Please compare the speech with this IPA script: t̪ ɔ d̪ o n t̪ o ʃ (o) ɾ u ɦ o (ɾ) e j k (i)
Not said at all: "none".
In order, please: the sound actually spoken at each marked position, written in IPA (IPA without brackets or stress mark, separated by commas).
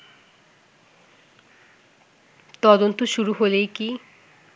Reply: u, l, i